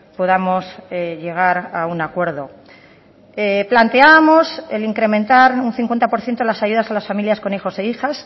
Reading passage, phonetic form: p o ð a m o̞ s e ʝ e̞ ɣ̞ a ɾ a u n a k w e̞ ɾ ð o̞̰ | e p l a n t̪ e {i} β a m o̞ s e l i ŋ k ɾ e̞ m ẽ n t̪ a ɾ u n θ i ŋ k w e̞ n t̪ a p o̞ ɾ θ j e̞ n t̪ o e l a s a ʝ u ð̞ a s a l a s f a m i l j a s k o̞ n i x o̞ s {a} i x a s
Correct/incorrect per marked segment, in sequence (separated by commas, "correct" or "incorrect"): incorrect, incorrect